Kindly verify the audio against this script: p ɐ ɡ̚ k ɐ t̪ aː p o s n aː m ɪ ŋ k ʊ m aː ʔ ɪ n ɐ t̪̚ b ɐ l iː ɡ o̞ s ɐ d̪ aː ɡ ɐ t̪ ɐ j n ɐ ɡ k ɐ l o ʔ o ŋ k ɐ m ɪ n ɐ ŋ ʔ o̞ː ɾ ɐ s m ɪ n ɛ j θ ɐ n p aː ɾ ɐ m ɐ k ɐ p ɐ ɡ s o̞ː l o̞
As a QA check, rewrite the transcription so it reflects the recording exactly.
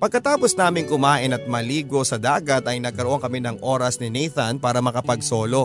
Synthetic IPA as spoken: p ɐ ɡ̚ k ɐ t̪ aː p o s n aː m ɪ ŋ k ʊ m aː ʔ ɪ n ɐ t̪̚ m ɐ l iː ɡ o̞ s ɐ d̪ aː ɡ ɐ t̪ ɐ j n ɐ ɡ k ɐ ɾ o ʔ o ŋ k ɐ m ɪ n ɐ ŋ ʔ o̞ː ɾ ɐ s n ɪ n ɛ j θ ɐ n p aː ɾ ɐ m ɐ k ɐ p ɐ ɡ s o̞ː l o̞